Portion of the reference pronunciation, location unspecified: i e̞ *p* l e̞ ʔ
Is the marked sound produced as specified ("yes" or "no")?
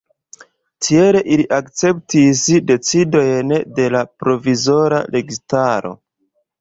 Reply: no